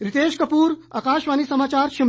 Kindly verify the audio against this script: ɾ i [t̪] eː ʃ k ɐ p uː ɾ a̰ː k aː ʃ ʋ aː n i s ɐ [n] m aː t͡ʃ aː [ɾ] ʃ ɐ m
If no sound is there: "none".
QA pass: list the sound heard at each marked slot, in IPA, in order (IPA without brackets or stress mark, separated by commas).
t̪, none, ɾ